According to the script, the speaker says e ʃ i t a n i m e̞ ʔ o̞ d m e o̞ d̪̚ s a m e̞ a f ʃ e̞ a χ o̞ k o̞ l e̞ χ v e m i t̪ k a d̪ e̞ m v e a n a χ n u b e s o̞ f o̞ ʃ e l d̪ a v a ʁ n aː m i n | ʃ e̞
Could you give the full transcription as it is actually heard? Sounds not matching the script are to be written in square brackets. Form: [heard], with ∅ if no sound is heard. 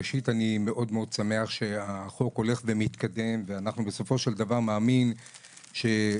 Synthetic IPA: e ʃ i t a n i m e̞ ʔ o̞ d m e o̞ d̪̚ s a m e̞ a [χ] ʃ e̞ a χ o̞ k o̞ l e̞ χ v e m i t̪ k a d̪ e̞ m v e a n a χ n u b e s o̞ f o̞ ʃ e l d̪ a v a ʁ [m] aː m i n | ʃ e̞